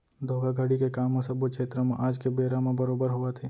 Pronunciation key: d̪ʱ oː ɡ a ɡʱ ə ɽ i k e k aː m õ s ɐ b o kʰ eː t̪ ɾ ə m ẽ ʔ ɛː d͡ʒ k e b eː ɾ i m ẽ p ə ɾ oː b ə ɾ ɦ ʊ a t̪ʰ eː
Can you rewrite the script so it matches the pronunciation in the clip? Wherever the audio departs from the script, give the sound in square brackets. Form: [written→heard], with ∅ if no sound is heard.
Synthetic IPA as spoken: d̪ʱ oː ɡ a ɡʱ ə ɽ i k e k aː m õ s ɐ b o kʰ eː t̪ ɾ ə m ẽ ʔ [ɛː→aː] d͡ʒ k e b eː ɾ [i→a] m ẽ [p→b] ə ɾ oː b ə ɾ ɦ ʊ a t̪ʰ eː